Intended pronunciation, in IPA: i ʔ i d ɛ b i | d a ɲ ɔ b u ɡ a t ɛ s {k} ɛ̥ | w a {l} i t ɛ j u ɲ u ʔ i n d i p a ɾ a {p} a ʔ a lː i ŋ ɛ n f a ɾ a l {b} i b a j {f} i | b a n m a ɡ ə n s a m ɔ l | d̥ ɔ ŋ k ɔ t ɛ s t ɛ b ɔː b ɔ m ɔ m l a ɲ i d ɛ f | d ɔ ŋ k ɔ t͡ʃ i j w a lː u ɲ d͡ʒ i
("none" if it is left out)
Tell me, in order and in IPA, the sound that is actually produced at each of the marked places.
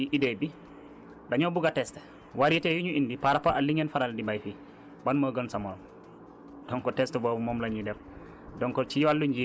t, ɾ, p, d, f

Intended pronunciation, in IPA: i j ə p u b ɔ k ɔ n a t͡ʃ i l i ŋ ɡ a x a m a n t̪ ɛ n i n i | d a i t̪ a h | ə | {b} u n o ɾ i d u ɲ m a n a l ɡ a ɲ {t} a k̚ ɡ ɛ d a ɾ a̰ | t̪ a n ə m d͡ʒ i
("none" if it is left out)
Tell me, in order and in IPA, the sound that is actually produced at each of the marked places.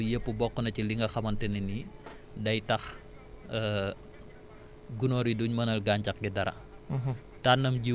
ɡ, t͡ʃ

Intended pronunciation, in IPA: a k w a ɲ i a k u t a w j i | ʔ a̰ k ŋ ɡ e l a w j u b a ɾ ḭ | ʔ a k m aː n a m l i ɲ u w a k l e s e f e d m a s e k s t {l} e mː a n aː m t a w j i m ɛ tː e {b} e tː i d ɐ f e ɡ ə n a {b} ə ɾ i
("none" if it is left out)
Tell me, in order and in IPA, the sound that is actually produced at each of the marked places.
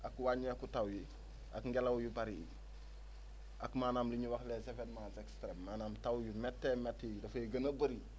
ɾ, m, b

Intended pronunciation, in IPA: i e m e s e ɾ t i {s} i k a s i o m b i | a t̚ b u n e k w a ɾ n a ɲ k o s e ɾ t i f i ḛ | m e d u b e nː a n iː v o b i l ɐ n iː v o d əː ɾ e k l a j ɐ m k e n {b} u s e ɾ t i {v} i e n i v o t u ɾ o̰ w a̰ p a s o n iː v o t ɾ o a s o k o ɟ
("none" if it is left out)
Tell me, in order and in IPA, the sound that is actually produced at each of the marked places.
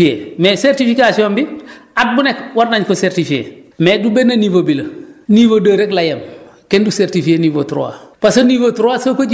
f, d, f

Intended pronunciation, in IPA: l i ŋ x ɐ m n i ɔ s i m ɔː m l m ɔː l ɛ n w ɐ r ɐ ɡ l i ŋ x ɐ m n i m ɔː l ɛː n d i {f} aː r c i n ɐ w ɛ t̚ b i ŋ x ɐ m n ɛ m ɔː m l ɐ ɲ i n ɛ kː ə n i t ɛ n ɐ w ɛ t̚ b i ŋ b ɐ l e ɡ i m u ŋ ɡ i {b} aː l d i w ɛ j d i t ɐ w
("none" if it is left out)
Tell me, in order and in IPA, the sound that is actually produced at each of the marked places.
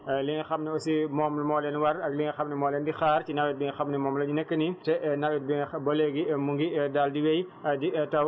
x, d

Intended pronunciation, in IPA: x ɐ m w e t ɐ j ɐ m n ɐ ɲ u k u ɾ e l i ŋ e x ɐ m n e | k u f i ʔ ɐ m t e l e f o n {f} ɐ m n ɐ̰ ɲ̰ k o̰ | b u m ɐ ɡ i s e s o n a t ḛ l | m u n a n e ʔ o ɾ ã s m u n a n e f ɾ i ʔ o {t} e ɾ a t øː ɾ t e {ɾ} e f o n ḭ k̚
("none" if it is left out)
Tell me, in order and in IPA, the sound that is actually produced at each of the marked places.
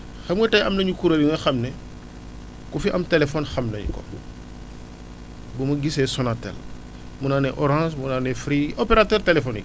x, p, l

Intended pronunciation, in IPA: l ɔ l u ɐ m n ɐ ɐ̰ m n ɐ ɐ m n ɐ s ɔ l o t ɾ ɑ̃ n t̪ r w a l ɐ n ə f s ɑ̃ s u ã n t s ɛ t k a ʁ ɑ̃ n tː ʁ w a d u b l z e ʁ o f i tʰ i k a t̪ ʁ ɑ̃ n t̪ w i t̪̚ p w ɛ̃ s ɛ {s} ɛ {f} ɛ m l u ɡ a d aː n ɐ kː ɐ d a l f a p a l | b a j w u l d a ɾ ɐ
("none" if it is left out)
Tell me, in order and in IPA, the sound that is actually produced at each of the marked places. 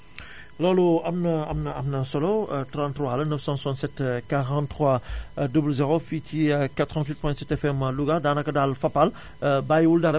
t, f

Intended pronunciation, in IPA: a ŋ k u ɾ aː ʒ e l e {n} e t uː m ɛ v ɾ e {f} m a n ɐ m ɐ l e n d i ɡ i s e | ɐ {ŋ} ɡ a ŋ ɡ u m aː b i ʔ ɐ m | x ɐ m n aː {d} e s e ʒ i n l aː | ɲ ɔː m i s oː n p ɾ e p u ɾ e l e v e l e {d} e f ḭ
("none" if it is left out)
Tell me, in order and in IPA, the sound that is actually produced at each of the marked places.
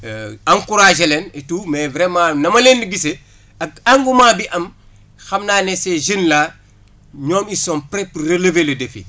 n, none, none, n, d

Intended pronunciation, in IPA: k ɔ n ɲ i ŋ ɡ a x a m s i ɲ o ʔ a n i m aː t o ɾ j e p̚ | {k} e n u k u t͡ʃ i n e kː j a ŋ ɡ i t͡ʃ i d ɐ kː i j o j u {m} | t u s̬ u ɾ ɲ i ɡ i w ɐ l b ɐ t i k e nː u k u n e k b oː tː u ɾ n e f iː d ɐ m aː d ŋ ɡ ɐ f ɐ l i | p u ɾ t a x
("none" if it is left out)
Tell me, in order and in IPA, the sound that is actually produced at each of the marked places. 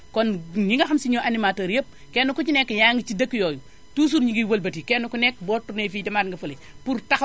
k, none

